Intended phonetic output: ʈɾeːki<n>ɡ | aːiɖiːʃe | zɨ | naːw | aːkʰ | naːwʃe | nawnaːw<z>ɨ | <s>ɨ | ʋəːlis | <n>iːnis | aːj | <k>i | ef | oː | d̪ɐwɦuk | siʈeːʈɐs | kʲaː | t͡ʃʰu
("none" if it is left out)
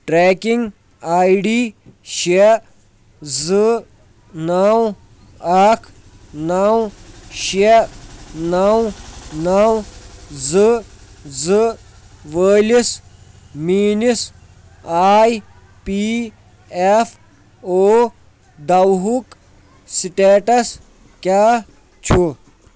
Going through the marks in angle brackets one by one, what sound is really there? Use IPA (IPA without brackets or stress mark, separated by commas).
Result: ŋ, z, z, m, p